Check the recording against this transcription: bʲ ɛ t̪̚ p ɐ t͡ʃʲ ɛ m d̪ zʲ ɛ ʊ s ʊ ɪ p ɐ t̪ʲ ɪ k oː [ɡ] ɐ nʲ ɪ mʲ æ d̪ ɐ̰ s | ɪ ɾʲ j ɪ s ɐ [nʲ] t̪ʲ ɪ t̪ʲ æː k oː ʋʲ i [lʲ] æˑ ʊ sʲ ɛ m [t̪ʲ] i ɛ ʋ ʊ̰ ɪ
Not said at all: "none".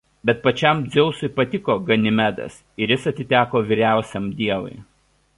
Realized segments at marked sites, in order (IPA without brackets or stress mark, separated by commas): ɡ, none, ɾʲ, d̪ʲ